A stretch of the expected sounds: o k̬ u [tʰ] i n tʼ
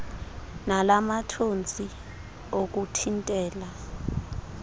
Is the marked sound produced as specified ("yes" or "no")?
yes